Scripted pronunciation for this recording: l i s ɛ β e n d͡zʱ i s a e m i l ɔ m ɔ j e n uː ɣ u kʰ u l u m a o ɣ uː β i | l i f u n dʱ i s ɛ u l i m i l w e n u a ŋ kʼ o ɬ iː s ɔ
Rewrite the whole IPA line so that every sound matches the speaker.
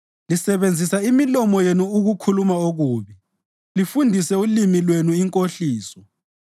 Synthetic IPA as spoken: l i s ɛ β e n d͡zʱ i s a i m i l ɔ m ɔ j e n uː ɣ u kʰ u l u m a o ɣ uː β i | l i f u n dʱ i s ɛ u l i m i l w e n u i ŋ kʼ o ɬ iː s ɔ